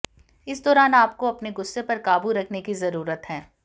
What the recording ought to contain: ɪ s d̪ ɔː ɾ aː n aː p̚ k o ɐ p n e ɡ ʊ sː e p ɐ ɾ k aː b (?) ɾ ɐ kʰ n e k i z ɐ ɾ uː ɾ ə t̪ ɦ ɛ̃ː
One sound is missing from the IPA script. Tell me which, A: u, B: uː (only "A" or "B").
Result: A